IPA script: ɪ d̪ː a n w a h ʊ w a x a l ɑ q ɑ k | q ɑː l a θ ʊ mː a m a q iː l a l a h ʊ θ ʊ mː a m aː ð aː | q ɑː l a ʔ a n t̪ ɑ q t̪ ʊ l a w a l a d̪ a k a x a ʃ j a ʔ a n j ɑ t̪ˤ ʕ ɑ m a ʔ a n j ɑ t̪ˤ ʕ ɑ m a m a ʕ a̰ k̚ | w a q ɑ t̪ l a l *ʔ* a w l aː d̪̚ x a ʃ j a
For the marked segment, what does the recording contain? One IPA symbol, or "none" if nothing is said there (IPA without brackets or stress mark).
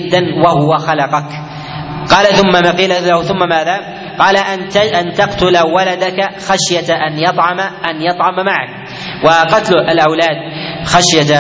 ʔ